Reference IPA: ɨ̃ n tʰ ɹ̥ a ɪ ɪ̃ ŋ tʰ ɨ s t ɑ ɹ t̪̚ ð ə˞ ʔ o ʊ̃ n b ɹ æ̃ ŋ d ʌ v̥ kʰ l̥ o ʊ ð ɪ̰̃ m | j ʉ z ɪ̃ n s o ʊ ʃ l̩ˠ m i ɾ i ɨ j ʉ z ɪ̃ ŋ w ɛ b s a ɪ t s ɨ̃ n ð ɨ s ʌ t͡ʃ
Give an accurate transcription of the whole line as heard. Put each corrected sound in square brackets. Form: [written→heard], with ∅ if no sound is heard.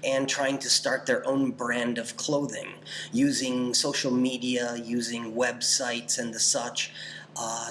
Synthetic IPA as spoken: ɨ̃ n tʰ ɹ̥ a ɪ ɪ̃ ŋ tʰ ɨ s t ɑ ɹ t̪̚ ð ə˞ ʔ [o→õ] ʊ̃ n b ɹ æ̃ [ŋ→n] d ʌ v̥ kʰ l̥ o ʊ ð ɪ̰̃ [m→ŋ] | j ʉ z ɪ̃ [n→ŋ] s o ʊ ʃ l̩ˠ m i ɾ i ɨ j ʉ z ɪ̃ ŋ w ɛ b s a ɪ t s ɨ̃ n ð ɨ s ʌ t͡ʃ

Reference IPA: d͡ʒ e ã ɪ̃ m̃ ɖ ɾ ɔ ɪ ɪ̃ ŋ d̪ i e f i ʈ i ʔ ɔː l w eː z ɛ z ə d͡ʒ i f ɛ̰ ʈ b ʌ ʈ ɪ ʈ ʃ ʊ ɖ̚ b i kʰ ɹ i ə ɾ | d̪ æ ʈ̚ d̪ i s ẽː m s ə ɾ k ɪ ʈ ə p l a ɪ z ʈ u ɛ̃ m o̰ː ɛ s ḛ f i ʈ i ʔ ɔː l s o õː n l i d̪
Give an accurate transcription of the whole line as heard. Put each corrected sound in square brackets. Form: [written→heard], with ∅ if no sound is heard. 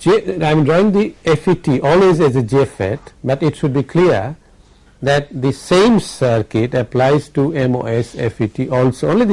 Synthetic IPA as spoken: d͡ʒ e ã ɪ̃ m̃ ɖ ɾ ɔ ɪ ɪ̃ ŋ d̪ i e f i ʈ i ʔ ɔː l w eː z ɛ z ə d͡ʒ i f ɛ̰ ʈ b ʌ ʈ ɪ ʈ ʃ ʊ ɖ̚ b i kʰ [ɹ→l] i ə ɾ | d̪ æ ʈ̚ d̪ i s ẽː m s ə ɾ k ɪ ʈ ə p l a ɪ z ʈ u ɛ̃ m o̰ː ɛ s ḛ f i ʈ i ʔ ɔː l s o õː n l i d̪

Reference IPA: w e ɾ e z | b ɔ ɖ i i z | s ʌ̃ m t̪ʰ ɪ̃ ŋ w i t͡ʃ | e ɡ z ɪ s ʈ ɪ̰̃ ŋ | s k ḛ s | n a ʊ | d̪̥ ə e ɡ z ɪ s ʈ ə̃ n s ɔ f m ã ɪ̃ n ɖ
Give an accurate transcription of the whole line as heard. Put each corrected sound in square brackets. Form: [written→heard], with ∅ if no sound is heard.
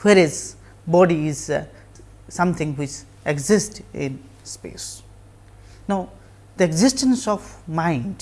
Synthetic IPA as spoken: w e ɾ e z | b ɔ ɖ i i z | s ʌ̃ m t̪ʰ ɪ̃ ŋ w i t͡ʃ | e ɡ z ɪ s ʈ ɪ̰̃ [ŋ→n] | s [k→p] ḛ s | n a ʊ | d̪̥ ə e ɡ z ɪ s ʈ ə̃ n s ɔ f m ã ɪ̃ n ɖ

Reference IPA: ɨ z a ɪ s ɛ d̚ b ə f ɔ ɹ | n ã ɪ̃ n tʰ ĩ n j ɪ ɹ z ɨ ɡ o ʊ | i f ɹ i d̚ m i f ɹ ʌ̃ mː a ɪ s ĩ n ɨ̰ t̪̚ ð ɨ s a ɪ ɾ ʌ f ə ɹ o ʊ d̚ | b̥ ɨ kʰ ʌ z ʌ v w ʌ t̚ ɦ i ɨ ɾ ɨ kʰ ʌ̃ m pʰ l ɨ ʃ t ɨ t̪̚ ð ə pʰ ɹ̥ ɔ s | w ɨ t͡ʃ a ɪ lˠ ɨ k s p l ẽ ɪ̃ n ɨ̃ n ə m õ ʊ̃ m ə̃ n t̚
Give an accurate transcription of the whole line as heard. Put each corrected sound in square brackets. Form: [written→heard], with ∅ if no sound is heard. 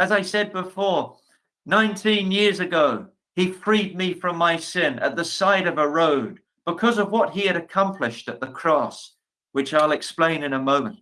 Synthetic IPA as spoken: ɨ z a ɪ s ɛ d̚ b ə f ɔ ɹ | n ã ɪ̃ n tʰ ĩ n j ɪ ɹ z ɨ ɡ o ʊ | i f ɹ i d̚ m i f ɹ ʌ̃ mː a ɪ s [ĩ→ɪ̃] n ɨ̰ t̪̚ ð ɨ s a ɪ ɾ ʌ [f→v] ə ɹ o ʊ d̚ | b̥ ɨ kʰ ʌ z ʌ v w ʌ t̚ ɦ i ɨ ɾ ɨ kʰ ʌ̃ m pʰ l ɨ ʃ t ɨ t̪̚ ð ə [pʰ→kʰ] ɹ̥ ɔ s | w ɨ t͡ʃ a ɪ lˠ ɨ k s p l ẽ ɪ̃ n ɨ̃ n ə m õ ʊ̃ m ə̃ n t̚

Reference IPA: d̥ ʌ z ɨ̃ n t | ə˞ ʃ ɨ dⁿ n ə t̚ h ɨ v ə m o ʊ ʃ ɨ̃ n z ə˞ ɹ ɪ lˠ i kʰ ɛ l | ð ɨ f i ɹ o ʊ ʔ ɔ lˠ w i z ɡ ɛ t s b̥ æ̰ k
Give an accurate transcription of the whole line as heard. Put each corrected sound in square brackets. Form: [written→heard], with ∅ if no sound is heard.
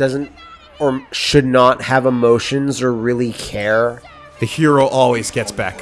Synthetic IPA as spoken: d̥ ʌ z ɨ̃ n t | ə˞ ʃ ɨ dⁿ n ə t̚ h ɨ v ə m o ʊ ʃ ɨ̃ n z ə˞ ɹ ɪ lˠ i kʰ ɛ [l→ɹ] | ð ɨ [f→h] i ɹ o ʊ ʔ ɔ lˠ w i z ɡ ɛ t s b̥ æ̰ k

